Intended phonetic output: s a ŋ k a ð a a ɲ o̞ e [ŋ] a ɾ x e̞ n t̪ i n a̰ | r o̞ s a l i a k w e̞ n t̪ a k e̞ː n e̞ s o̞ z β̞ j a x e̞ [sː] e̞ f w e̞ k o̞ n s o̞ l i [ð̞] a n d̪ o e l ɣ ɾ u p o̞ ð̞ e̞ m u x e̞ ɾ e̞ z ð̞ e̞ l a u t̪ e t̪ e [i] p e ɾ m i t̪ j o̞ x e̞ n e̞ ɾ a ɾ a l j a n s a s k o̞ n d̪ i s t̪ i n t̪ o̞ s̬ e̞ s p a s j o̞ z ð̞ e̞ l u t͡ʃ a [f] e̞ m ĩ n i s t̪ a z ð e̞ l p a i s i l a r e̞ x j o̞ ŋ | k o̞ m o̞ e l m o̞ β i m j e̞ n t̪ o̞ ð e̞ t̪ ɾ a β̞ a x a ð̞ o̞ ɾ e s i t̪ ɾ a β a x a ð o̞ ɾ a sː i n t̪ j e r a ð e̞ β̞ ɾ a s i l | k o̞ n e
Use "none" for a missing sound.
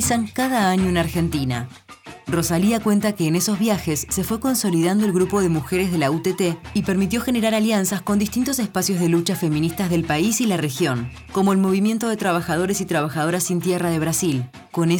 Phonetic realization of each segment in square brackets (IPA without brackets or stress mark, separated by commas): n, sː, ð̞, i, f